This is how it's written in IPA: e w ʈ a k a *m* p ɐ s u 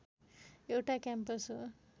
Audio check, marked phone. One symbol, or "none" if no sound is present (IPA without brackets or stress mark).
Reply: m